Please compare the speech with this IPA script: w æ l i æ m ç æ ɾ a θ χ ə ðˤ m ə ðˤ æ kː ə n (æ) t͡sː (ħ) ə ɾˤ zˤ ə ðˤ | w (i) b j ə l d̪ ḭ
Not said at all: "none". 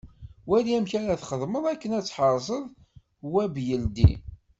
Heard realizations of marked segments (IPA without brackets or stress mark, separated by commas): æ, ħ, æ